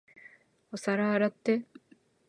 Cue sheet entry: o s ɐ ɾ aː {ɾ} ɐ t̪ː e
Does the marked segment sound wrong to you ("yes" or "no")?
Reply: no